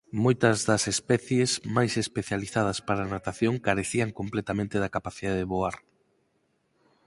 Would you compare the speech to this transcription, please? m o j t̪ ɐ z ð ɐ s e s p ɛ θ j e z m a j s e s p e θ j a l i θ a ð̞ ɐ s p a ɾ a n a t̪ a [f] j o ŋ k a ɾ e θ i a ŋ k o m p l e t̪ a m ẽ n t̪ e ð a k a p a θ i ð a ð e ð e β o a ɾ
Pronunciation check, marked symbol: incorrect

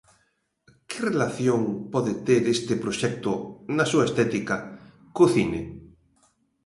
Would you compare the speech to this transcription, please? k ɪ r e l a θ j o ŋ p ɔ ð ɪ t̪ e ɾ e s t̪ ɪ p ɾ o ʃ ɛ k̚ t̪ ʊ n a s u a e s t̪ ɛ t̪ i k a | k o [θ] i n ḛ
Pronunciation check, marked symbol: correct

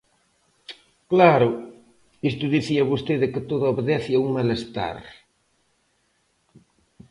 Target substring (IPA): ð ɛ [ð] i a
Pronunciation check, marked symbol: incorrect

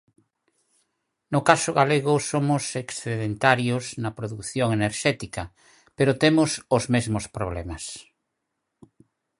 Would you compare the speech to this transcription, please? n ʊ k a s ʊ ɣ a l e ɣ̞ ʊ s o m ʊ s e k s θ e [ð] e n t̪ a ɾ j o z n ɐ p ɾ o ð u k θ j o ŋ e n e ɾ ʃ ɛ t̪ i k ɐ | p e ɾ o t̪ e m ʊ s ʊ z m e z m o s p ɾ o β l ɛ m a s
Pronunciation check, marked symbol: correct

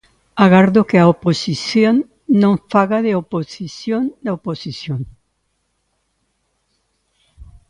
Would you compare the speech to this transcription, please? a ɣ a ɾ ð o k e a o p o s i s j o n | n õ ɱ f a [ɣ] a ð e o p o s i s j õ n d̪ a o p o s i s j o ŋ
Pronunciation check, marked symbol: correct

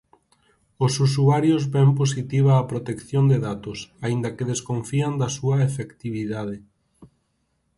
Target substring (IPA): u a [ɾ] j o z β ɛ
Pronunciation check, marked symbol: correct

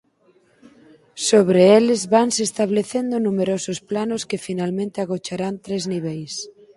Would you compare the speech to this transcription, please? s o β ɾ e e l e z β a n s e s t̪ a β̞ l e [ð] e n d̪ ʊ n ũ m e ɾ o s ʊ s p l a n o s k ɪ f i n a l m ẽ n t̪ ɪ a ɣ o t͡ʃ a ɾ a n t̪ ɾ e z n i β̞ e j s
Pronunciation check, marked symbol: incorrect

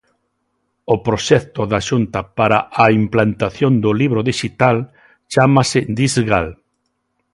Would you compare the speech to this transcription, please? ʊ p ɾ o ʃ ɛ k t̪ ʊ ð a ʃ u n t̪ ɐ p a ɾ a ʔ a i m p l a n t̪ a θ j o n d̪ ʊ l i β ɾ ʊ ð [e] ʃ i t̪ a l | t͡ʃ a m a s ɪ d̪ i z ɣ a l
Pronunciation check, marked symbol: incorrect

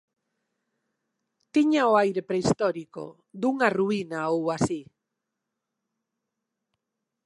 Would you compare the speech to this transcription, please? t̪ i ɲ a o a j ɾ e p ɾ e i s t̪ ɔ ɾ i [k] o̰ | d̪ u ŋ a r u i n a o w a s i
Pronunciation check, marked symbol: correct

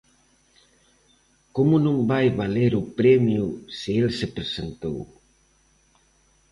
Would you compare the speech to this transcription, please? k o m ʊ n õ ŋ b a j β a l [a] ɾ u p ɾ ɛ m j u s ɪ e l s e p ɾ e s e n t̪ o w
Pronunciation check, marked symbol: incorrect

